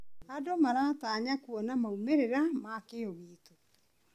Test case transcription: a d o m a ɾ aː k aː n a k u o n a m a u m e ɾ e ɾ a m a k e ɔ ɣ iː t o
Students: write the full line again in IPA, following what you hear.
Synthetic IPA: a d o m a ɾ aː t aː ɲ a k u ɔ n a m a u m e ɾ e ɾ a m a k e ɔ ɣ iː t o